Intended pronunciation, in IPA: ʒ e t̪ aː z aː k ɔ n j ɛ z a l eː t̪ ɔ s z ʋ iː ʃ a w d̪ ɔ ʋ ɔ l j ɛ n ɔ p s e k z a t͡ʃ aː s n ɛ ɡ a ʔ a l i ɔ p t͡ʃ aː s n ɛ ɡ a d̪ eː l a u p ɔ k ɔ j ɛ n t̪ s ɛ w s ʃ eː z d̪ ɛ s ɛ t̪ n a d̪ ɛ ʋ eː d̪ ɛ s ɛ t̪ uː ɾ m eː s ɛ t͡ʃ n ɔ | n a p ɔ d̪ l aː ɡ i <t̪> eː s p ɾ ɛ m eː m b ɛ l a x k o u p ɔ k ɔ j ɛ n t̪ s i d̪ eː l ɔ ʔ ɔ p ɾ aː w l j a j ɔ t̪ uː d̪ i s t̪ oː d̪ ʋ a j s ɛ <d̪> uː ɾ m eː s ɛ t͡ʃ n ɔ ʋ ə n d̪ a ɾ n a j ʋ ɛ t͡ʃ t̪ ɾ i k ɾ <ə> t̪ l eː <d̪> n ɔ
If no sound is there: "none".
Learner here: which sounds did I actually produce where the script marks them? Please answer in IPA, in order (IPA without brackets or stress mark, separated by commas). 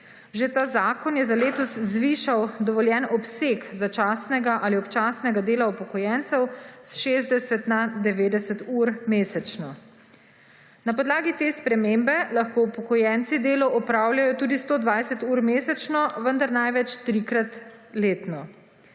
t̪, t̪, a, t̪